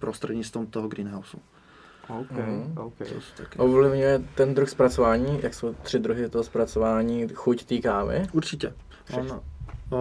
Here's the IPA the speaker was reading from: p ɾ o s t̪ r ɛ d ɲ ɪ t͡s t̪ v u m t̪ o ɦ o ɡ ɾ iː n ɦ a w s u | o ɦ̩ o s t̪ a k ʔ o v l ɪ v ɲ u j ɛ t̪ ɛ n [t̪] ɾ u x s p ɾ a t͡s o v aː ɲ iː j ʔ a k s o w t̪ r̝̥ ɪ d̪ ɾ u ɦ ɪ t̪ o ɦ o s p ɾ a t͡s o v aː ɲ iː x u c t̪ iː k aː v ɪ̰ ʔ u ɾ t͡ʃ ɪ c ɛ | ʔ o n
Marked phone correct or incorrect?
incorrect